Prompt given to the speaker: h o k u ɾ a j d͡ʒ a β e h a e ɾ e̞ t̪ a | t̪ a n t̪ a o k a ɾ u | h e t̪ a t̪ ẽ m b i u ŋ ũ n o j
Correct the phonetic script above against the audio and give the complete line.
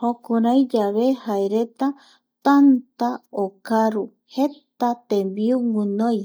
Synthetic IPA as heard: h o k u ɾ a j d͡ʒ a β e h a e ɾ e̞ t̪ a | t̪ a n t̪ a o k a ɾ u | h e t̪ a t̪ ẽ m b i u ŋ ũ n o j

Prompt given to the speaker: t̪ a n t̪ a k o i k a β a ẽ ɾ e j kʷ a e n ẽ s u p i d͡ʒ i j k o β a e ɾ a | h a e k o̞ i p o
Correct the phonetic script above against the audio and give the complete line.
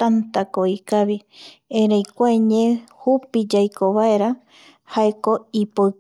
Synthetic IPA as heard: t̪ a n t̪ a k o i k a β i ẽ ɾ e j kʷ a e ɲ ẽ h u p i d͡ʒ a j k o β a e ɾ a | h a e k o̞ i p o

